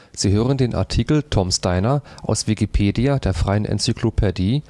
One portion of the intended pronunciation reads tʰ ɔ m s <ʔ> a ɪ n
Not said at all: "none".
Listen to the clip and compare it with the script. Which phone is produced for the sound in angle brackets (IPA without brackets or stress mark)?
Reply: t